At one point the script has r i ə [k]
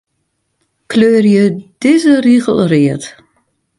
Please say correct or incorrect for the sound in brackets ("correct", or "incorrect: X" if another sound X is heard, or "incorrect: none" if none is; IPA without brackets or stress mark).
incorrect: t